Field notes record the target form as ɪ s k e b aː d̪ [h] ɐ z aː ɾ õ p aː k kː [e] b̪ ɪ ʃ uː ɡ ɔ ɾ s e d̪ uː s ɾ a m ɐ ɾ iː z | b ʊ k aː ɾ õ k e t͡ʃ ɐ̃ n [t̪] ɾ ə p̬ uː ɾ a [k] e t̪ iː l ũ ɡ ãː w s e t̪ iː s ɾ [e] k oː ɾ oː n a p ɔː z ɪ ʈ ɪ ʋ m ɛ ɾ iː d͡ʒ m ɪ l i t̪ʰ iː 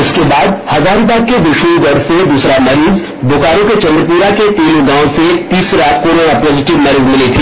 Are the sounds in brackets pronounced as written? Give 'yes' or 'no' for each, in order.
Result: yes, yes, no, yes, no

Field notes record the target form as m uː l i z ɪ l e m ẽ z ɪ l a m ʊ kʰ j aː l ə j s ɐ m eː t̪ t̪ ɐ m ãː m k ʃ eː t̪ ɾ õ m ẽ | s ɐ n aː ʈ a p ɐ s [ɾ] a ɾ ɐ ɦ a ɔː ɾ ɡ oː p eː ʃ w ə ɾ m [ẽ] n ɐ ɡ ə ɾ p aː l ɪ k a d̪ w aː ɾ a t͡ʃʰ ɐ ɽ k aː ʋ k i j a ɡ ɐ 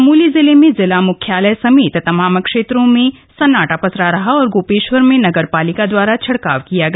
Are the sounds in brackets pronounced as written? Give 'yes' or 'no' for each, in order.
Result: yes, yes

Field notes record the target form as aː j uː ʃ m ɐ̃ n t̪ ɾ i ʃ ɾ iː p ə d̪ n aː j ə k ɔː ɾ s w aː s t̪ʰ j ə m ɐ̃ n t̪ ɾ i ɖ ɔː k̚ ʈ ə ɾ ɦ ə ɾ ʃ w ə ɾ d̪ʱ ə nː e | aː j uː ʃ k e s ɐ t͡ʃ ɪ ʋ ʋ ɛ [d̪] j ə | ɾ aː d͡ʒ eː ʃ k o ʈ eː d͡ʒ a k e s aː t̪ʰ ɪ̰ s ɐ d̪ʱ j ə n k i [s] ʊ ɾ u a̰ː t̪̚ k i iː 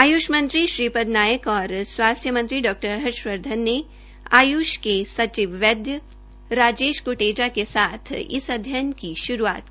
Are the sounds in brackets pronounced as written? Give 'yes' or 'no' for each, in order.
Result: yes, no

